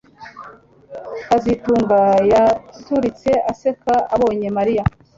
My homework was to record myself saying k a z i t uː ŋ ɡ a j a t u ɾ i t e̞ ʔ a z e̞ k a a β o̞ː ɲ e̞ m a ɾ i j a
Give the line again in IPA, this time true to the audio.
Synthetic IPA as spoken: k a z i t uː ŋ ɡ a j a t u ɾ i t͡s e̞ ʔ a s e̞ k a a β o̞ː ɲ e̞ m a ɾ i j a